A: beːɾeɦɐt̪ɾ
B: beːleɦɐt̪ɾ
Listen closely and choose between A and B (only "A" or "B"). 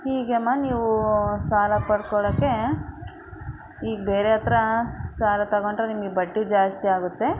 A